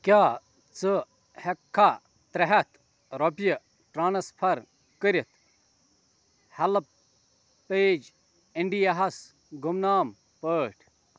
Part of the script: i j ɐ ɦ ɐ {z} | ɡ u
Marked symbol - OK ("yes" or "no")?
no